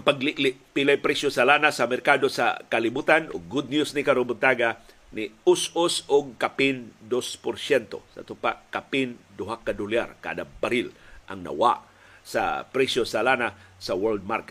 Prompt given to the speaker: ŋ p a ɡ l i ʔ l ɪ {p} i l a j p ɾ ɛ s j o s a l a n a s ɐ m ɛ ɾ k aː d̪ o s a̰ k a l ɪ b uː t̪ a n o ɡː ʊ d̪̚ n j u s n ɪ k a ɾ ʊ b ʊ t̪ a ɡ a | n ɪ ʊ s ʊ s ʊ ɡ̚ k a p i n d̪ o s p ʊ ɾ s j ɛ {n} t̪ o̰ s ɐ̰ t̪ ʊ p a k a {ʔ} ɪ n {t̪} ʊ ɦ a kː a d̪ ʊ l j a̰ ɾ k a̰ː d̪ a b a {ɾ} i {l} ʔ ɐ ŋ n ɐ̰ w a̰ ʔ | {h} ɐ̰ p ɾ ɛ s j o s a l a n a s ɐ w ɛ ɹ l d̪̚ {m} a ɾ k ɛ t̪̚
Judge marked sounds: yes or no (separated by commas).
yes, yes, no, no, yes, yes, no, yes